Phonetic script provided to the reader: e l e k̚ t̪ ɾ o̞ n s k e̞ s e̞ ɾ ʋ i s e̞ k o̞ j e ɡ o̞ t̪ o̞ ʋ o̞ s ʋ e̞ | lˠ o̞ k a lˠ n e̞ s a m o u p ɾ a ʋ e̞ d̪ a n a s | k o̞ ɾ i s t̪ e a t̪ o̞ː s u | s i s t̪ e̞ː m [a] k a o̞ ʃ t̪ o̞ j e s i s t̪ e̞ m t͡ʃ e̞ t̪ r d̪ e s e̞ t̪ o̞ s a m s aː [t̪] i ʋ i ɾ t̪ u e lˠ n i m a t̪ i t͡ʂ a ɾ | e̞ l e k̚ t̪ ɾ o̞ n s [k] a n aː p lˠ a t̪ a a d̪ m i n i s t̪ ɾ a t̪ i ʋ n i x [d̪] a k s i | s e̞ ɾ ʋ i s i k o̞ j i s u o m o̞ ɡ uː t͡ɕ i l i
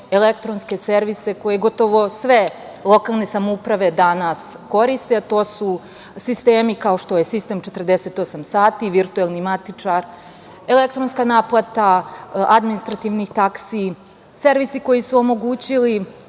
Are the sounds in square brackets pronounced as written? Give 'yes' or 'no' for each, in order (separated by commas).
no, yes, yes, no